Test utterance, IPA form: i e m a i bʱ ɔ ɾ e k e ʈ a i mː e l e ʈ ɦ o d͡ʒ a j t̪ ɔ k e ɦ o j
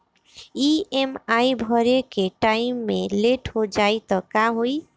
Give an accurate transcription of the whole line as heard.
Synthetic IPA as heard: i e m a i bʱ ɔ ɾ e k e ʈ a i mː e l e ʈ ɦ o d͡ʒ a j t̪ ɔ k a ɦ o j